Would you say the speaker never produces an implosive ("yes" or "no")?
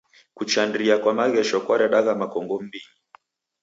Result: no